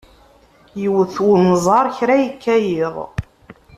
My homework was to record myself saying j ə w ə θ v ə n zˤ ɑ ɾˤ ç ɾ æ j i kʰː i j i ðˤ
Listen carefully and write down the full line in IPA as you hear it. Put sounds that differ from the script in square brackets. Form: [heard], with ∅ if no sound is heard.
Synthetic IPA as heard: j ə w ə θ [w] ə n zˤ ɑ ɾˤ ç ɾ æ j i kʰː [æ] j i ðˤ